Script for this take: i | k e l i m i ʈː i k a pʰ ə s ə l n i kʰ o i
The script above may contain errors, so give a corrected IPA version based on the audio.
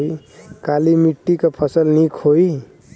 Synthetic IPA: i | k a l i m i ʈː i k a pʰ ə s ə l n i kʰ o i